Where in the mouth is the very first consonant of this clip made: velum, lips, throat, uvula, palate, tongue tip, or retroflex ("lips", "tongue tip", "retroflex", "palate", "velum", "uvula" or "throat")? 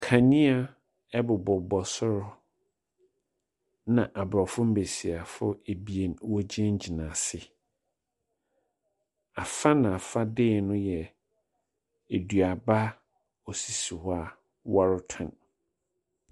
velum